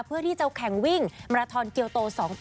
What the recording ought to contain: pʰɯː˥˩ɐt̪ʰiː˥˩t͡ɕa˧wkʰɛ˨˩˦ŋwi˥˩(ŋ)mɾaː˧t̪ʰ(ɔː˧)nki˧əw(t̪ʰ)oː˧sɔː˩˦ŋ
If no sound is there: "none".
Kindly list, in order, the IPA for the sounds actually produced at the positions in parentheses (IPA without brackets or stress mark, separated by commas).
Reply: ŋ, ɔː˧, t̪